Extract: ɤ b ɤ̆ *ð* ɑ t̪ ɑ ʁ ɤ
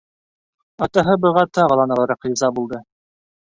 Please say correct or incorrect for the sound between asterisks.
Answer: incorrect